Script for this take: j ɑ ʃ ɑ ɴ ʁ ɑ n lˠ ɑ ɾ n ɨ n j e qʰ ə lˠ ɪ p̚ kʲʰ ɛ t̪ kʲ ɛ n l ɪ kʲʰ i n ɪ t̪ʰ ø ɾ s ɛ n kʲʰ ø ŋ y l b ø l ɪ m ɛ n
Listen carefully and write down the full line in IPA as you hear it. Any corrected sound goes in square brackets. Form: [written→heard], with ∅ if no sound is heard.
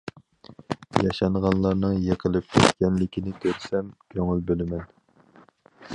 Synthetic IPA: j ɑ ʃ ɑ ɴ ʁ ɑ n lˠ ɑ ɾ n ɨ [n→ŋ] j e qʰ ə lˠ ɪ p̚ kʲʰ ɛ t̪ kʲ ɛ n l ɪ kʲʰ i n ɪ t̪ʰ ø ɾ s ɛ [n→m] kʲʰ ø ŋ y l b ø l ɪ m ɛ n